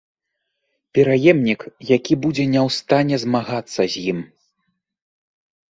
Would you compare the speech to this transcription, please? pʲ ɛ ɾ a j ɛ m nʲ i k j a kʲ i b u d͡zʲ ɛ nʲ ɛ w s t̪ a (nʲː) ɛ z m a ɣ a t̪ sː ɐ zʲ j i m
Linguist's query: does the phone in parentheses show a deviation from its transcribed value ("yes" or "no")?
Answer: yes